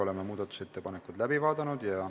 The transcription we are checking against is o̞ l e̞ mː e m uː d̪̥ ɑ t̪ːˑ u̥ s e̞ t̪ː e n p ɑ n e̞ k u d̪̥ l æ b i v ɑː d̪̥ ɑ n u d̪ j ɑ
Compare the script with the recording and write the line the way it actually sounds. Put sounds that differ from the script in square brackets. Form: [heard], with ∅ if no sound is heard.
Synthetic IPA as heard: o̞ l e̞ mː e m uː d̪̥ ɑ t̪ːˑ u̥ s e̞ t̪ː e [∅] p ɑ n e̞ k u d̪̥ l æ b i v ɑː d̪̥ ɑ n u d̪ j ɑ